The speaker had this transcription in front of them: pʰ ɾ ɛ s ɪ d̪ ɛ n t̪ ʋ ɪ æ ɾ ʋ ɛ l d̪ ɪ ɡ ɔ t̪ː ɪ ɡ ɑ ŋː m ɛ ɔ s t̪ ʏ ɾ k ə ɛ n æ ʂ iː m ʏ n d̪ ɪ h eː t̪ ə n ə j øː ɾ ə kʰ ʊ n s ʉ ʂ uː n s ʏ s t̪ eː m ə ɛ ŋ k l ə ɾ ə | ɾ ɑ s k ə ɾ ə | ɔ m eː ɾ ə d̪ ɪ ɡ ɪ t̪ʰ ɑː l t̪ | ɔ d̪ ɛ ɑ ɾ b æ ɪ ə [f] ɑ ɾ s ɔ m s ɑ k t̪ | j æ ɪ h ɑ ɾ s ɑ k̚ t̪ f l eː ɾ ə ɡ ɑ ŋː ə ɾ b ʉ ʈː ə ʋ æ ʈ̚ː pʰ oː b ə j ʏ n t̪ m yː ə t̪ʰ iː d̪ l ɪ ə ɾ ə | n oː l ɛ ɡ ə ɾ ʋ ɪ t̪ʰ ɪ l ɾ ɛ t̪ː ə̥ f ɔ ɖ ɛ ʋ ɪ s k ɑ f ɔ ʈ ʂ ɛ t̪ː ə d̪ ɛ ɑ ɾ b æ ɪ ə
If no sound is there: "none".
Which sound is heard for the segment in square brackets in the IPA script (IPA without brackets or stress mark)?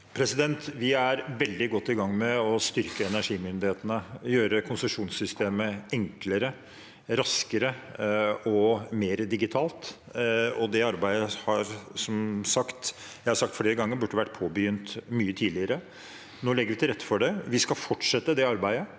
h